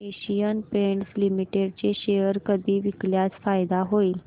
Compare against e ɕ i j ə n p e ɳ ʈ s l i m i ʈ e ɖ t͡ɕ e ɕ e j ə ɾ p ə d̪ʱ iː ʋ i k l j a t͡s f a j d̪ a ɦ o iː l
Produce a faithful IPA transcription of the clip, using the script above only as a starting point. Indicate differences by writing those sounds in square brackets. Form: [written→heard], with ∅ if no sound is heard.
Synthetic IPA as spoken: e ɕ i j ə n p e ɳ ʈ s l i m i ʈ e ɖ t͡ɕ e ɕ e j ə ɾ [p→k] ə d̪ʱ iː ʋ i k l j a t͡s f a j d̪ a ɦ o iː l